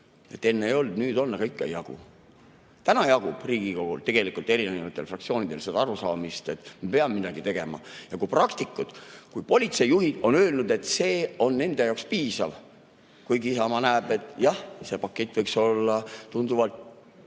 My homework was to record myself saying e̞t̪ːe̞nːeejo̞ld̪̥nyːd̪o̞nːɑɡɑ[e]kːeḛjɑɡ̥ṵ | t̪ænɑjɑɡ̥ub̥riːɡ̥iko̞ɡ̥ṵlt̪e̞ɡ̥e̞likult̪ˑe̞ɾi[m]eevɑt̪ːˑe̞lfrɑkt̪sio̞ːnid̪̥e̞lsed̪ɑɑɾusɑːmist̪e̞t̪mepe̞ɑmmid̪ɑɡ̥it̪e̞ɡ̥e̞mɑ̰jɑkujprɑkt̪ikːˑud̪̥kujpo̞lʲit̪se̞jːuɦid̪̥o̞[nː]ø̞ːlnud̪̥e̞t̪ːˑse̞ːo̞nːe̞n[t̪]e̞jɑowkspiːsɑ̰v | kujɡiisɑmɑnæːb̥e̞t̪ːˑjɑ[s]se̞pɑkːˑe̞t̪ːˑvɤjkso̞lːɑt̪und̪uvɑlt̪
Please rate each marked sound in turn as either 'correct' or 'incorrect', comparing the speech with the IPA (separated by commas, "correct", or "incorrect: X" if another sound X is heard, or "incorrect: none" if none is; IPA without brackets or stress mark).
incorrect: i, incorrect: n, incorrect: n, incorrect: d̪, incorrect: h